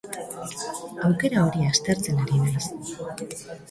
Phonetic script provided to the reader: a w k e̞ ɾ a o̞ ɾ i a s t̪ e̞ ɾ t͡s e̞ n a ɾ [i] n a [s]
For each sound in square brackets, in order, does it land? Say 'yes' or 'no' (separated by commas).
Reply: yes, yes